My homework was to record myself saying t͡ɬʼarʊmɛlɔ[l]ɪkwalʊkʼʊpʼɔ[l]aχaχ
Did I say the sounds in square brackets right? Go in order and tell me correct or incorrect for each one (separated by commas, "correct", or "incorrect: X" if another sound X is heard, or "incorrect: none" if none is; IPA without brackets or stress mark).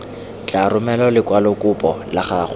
correct, correct